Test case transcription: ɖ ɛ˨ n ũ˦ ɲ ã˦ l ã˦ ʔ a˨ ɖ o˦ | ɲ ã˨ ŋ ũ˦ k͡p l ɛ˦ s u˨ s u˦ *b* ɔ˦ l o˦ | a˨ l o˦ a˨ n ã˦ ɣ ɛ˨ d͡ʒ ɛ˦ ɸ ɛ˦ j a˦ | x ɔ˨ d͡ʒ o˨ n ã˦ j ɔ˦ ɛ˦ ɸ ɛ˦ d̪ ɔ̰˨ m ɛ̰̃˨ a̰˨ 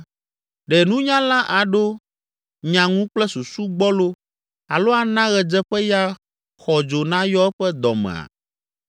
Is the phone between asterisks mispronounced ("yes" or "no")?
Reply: yes